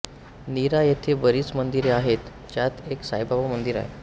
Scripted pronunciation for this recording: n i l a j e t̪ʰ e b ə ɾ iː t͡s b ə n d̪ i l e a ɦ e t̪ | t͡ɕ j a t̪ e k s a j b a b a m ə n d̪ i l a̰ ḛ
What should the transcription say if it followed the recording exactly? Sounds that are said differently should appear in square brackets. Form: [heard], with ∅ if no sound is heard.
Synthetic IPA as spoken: n i [ɾ] a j e t̪ʰ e b ə ɾ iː t͡s [m] ə n d̪ i [ɾ] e a ɦ e t̪ | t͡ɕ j a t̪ e k s a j b a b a m ə n d̪ i [ɾ] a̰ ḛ